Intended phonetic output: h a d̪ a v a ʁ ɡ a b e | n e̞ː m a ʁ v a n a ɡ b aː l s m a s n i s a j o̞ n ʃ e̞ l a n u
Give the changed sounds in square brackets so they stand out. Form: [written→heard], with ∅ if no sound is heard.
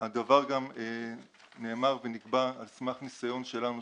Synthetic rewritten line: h a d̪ a v a ʁ ɡ a [b→m] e | n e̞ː m a ʁ v [a→e] n [a→i] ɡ b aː l s m a [s→χ] n i s a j o̞ n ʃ e̞ l a n u